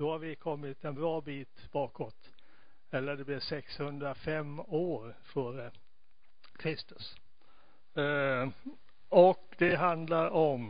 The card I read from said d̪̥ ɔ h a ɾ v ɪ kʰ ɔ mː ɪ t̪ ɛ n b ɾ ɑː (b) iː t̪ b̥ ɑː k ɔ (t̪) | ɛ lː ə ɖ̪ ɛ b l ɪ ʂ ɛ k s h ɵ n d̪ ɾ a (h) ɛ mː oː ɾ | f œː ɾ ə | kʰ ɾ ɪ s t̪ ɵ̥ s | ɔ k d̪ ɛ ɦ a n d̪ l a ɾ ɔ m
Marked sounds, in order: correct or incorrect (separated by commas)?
correct, correct, incorrect